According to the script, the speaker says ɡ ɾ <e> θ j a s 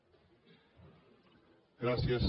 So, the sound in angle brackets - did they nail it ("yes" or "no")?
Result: no